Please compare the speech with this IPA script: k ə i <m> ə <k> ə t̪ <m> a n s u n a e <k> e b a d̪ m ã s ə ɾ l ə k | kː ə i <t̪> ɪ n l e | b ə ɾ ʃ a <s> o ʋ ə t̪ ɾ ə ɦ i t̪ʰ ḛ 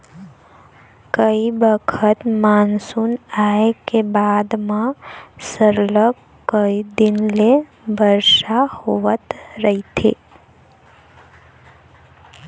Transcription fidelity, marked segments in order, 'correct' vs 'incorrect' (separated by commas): incorrect, incorrect, correct, correct, incorrect, incorrect